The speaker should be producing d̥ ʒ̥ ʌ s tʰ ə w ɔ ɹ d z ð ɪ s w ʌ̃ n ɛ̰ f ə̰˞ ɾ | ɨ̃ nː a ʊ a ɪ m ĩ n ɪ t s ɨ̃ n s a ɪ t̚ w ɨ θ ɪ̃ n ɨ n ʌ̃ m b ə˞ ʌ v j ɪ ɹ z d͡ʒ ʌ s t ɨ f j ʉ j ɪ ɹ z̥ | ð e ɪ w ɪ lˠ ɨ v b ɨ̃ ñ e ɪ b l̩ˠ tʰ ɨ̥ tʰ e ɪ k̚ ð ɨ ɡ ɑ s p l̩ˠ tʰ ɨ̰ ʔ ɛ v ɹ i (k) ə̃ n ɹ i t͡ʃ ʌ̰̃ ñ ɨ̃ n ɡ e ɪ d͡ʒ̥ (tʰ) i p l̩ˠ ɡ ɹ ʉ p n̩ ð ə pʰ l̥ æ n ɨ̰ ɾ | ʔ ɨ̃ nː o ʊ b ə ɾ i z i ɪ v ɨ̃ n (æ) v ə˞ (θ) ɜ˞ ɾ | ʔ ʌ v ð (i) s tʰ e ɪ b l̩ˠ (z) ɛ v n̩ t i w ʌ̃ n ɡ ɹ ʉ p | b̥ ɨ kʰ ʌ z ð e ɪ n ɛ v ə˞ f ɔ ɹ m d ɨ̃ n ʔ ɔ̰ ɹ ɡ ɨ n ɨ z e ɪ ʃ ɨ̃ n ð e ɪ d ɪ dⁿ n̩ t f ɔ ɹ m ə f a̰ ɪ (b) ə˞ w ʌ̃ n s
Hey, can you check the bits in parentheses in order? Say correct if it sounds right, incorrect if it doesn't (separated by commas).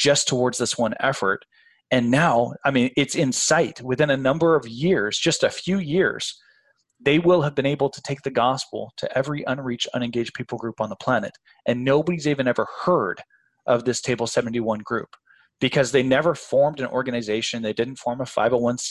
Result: incorrect, incorrect, incorrect, incorrect, incorrect, incorrect, incorrect